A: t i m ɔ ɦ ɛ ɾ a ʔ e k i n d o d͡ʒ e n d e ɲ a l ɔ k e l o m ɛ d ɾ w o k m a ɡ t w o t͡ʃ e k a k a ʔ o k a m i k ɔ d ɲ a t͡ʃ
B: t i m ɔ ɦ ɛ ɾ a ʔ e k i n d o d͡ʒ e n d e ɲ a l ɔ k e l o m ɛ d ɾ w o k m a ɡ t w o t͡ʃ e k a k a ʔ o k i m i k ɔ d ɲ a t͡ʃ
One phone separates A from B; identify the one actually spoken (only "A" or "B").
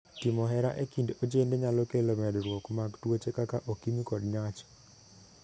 B